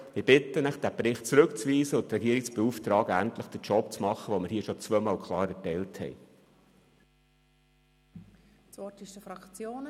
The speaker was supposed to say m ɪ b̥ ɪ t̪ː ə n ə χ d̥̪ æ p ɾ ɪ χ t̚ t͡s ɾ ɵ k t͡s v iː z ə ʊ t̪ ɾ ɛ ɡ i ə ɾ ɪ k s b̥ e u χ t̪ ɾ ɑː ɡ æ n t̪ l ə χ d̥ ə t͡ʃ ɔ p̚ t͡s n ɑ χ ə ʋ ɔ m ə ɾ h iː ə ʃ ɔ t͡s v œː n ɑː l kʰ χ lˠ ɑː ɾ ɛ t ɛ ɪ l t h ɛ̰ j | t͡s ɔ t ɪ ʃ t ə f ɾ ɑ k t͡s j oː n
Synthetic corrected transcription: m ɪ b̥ ɪ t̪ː ə n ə χ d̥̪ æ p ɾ ɪ χ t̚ t͡s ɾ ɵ k t͡s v iː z ə ʊ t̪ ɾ ɛ ɡ i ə ɾ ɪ k s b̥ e u f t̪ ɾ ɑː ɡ æ n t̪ l ə χ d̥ ə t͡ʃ ɔ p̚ t͡s m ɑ χ ə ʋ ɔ m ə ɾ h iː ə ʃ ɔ t͡s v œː m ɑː l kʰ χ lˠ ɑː ɾ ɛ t ɛ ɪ l t h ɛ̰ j | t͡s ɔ t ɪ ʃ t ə f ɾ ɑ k t͡s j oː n